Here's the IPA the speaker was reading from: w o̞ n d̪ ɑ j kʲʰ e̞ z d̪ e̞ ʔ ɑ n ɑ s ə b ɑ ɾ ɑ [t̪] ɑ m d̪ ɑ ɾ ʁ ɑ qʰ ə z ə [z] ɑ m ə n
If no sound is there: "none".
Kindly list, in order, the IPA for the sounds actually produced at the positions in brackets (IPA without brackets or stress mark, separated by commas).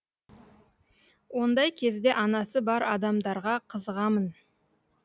d̪, ʁ